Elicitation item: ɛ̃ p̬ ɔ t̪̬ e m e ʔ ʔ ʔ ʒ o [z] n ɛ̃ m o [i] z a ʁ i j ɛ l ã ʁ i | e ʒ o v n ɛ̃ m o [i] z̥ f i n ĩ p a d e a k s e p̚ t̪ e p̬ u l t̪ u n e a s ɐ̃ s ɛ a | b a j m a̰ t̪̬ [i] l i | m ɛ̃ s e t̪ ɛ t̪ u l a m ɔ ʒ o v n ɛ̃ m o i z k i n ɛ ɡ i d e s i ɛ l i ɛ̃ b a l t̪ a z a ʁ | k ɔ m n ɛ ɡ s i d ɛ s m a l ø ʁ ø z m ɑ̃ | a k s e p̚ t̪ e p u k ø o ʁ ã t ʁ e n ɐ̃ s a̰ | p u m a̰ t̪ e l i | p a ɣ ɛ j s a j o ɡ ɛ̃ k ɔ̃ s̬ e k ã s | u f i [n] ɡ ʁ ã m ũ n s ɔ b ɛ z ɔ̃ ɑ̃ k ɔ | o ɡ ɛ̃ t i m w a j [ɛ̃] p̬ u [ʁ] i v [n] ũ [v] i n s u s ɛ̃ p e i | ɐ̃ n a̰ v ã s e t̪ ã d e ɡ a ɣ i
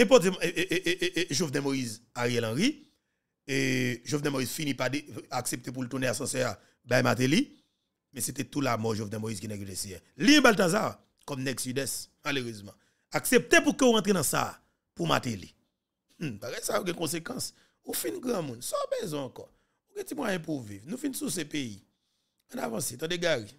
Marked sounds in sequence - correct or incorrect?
incorrect, correct, correct, incorrect, correct, correct, incorrect, correct, incorrect

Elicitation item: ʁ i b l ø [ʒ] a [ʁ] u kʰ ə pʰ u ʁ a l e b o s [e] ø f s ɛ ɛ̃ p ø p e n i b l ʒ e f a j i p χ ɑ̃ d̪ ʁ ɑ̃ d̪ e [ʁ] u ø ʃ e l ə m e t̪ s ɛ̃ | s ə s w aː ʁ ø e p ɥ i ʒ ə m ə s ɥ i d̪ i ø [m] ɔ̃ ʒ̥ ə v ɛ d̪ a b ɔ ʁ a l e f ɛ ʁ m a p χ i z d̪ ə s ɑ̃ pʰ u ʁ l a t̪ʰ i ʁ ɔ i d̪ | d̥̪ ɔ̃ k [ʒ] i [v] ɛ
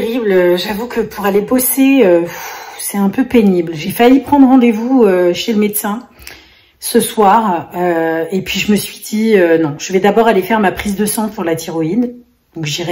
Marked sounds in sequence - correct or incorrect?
correct, incorrect, correct, incorrect, incorrect, correct, incorrect

